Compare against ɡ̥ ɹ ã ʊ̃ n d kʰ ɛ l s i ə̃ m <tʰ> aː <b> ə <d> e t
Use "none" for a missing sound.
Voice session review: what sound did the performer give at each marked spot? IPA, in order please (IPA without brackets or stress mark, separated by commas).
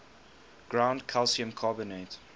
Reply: kʰ, b, n